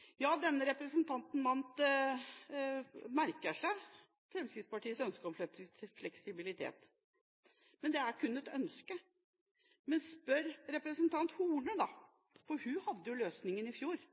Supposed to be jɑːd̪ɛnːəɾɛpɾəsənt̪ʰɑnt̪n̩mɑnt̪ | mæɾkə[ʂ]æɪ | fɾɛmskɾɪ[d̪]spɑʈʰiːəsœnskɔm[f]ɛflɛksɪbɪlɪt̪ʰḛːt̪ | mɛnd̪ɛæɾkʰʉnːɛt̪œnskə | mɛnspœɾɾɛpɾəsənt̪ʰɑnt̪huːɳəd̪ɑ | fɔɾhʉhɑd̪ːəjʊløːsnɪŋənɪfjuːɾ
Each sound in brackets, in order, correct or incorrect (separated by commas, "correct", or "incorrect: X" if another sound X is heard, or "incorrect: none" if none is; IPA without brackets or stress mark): correct, incorrect: t̪, correct